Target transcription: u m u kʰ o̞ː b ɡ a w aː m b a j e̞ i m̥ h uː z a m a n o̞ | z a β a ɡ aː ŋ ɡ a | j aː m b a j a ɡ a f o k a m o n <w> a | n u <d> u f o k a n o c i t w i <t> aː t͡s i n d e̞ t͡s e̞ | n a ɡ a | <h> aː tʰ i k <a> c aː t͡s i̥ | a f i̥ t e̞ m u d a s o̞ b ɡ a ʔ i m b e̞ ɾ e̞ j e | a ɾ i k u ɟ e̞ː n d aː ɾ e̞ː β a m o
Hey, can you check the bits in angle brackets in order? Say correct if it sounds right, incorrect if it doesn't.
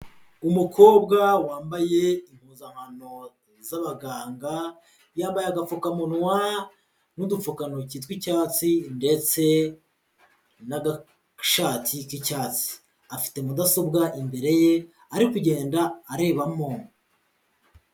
correct, correct, incorrect, incorrect, incorrect

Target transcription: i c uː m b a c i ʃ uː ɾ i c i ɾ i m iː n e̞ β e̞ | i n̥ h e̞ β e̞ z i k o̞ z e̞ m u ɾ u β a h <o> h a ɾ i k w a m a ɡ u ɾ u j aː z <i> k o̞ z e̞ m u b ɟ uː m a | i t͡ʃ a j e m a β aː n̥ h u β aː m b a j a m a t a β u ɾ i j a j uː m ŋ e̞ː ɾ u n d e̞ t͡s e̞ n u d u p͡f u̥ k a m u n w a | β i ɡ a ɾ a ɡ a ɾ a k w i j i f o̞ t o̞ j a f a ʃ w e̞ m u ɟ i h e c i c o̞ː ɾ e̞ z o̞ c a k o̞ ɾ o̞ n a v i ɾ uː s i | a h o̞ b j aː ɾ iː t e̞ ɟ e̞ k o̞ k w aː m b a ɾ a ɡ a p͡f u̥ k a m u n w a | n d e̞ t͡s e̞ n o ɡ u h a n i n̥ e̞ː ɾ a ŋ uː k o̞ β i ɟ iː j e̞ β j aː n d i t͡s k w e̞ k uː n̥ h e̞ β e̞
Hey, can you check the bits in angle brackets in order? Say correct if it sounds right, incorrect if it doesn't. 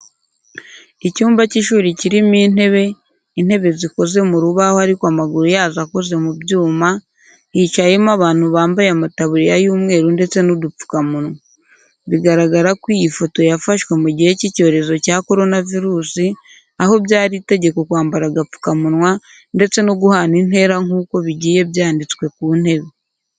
correct, incorrect

